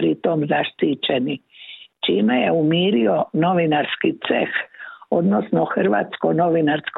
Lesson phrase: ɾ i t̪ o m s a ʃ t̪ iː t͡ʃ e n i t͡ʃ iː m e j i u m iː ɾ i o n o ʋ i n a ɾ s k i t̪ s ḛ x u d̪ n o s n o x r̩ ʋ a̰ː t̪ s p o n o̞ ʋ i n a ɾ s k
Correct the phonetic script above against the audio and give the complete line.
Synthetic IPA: ɾ i t̪ o m z a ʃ t̪ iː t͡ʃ e n i t͡ʃ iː m e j e u m iː ɾ i o n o ʋ i n a ɾ s k i t̪ s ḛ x o d̪ n o s n o x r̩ ʋ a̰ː t̪ s k o n o̞ ʋ i n a ɾ s k